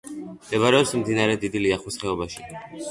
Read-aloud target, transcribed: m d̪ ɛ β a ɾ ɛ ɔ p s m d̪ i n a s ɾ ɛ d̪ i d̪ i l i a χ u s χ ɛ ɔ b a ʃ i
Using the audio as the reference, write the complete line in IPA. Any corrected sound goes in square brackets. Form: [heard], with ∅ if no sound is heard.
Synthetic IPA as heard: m d̪ ɛ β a ɾ ɛ ɔ p s m d̪ i n a [∅] ɾ ɛ d̪ i d̪ i l i a χ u s χ ɛ ɔ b a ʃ i